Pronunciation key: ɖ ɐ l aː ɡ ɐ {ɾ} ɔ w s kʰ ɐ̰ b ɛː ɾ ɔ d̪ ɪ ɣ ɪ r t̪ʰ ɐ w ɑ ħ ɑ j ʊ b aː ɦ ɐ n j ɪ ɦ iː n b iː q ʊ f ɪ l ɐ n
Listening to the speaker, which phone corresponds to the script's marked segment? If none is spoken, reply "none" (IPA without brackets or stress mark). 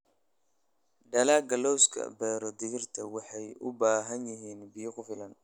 l